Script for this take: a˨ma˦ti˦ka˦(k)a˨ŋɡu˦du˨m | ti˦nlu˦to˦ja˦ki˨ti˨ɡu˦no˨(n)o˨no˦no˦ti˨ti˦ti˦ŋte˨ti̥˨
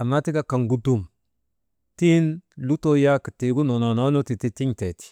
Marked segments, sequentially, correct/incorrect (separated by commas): correct, correct